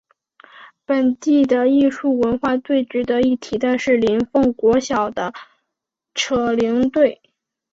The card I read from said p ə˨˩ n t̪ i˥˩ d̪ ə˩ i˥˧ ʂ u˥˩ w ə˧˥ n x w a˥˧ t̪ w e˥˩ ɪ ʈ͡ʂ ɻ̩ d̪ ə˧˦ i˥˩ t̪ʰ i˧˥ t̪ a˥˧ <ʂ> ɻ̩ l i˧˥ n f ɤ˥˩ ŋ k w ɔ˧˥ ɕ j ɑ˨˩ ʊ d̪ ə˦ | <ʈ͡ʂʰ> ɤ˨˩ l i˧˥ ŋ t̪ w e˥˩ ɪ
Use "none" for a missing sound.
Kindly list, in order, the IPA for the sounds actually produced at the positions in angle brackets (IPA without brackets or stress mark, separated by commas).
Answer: ʂ, ʈ͡ʂʰ